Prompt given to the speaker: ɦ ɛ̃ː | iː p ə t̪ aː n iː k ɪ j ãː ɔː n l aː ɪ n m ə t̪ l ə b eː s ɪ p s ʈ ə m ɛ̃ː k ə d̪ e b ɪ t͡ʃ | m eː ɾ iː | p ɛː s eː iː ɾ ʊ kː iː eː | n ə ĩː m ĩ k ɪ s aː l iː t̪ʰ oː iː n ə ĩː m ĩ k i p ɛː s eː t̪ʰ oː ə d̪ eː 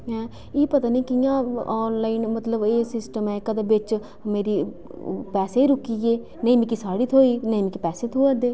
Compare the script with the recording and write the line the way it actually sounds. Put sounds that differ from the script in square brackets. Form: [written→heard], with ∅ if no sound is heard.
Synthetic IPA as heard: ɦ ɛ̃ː | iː p ə t̪ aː n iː k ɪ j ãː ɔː n l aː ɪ n m ə t̪ l ə b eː s ɪ [p→∅] s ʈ ə m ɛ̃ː k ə d̪ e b ɪ t͡ʃ | m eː ɾ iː | p ɛː s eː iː ɾ ʊ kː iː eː | n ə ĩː m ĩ k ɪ s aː [l→ɽ] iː t̪ʰ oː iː n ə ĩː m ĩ k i p ɛː s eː t̪ʰ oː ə d̪ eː